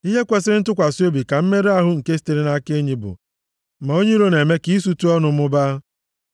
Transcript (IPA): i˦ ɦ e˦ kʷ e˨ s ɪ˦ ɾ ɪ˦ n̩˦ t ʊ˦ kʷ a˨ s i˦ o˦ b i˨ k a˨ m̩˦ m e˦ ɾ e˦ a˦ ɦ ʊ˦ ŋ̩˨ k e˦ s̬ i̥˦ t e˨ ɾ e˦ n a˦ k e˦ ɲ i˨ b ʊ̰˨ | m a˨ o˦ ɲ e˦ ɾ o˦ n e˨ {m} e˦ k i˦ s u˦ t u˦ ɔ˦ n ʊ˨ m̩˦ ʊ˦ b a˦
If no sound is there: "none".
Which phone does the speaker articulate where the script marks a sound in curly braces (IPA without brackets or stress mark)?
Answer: m